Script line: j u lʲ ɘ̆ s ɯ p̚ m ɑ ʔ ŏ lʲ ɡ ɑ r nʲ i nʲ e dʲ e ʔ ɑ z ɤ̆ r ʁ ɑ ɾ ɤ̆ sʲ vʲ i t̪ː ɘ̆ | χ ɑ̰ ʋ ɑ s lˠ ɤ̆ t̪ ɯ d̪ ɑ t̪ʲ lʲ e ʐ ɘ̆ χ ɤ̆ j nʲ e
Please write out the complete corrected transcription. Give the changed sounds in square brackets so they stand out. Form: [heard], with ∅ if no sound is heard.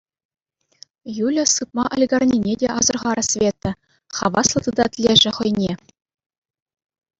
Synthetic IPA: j u lʲ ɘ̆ s ɯ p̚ m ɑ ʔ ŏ lʲ ɡ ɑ r nʲ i nʲ e dʲ e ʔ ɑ z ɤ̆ r ʁ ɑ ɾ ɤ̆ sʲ vʲ [e] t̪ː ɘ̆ | χ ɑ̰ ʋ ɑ s lˠ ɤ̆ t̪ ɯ d̪ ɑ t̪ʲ lʲ e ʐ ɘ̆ χ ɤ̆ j nʲ e